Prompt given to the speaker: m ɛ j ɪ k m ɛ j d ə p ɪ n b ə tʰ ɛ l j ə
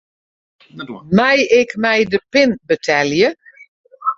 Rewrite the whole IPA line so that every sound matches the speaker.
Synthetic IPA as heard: m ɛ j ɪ k m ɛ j d ə p ɪ n b ə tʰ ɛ l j ə